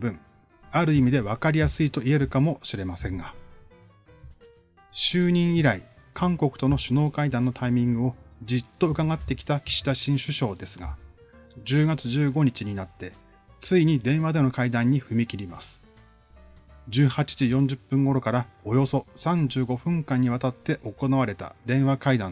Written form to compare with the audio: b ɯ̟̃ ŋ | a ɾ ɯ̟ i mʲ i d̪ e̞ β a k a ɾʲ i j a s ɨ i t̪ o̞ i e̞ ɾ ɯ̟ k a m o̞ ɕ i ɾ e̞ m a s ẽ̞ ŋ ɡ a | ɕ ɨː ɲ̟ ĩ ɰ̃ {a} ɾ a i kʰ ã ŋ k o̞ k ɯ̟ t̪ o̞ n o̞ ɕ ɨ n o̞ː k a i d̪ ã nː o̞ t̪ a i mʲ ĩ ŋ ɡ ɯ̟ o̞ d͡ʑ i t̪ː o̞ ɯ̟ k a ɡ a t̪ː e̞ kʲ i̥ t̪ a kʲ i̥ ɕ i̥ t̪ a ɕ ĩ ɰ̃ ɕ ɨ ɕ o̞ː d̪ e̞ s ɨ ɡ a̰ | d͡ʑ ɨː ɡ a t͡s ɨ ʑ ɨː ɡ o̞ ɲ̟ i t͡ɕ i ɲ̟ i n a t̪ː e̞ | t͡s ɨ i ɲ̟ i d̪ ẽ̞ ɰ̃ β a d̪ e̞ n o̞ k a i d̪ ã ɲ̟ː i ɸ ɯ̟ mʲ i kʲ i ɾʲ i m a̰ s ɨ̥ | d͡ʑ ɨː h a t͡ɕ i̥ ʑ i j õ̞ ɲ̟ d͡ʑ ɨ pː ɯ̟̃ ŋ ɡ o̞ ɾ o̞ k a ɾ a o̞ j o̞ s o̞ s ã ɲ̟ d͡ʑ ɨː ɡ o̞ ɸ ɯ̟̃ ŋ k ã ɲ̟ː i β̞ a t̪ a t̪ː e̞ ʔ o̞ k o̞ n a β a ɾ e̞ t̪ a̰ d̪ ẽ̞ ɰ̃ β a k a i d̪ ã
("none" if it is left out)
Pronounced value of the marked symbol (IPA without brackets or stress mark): i